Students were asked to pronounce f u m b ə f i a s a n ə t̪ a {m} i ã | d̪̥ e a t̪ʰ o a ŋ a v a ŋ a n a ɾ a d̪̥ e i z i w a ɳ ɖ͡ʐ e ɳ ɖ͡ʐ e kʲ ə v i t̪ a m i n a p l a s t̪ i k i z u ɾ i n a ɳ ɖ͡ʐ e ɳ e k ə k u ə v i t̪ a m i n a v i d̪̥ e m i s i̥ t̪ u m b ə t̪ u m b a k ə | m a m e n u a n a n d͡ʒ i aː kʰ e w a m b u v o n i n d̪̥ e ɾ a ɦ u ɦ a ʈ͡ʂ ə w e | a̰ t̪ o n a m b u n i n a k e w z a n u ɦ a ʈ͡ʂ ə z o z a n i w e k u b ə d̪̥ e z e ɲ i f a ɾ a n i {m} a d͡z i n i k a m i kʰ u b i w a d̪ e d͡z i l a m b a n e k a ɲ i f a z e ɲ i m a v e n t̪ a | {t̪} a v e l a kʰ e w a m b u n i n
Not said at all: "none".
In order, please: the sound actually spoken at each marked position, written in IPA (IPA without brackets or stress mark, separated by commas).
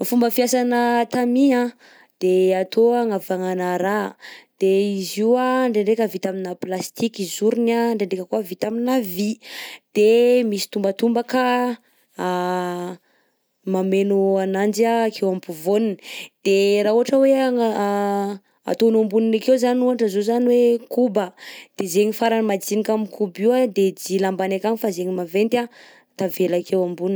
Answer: m, m, t̪